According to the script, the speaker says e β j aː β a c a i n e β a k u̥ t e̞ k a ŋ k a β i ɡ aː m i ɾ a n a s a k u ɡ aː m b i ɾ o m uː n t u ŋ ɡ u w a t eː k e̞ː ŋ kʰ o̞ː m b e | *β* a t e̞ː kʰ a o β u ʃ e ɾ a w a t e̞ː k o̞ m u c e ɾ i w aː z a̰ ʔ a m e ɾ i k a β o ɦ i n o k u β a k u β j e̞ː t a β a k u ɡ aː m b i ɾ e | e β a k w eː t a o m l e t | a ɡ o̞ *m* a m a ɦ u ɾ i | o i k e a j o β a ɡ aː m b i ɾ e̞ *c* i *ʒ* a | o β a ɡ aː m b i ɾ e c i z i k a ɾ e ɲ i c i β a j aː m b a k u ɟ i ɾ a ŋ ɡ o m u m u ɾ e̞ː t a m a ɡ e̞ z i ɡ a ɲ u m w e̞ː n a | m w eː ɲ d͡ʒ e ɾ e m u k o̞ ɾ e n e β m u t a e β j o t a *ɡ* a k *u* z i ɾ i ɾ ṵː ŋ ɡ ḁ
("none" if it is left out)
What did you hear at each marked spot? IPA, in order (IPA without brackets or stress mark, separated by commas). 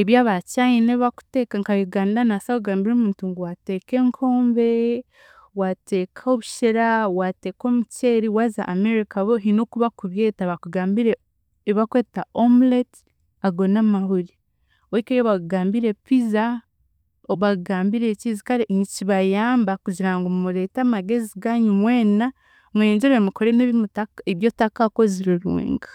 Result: w, n, p, z, k, o